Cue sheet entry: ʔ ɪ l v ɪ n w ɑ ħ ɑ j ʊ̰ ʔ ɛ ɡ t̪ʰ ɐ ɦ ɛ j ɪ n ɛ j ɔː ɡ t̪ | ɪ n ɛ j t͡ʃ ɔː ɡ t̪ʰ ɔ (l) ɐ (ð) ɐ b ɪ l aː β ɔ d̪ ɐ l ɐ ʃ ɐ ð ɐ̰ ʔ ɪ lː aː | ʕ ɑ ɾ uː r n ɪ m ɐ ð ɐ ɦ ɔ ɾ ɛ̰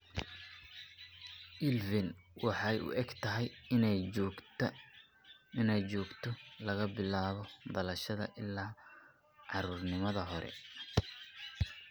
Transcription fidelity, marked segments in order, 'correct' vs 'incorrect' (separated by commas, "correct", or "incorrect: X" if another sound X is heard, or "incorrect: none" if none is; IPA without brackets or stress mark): correct, incorrect: ɣ